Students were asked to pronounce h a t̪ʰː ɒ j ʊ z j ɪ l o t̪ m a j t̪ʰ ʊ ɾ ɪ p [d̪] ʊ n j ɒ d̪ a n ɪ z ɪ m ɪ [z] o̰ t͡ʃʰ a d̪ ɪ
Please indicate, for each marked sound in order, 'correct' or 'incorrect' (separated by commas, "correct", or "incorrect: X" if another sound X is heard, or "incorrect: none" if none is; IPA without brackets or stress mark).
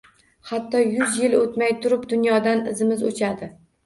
correct, correct